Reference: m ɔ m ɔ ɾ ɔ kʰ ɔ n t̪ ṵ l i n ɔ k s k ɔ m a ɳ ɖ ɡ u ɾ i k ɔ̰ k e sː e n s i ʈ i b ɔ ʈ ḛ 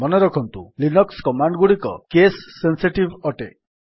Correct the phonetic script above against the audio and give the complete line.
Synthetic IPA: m ɔ n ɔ ɾ ɔ kʰ ɔ n t̪ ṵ l i n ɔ k s k ɔ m a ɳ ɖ ɡ u ɽ i k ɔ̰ k e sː e n s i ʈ i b ɔ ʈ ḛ